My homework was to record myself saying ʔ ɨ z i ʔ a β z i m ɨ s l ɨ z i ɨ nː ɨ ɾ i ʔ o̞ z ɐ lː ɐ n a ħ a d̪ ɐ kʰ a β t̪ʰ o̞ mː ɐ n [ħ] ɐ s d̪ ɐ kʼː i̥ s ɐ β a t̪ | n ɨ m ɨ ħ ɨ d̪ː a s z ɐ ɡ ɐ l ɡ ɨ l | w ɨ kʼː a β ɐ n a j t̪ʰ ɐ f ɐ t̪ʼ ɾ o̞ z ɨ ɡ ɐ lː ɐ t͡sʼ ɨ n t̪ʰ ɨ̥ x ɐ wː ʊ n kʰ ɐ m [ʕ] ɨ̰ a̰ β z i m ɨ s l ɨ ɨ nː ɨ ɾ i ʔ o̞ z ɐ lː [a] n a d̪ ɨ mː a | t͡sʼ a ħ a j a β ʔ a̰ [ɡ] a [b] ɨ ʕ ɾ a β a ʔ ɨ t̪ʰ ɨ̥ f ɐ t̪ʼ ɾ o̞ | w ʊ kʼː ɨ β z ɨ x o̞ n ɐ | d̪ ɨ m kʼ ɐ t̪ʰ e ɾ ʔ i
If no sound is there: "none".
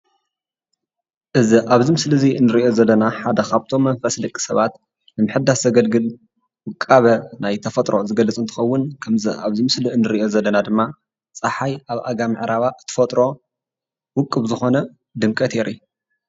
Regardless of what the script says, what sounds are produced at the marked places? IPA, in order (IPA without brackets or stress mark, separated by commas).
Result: f, z, ɐ, ɡ, m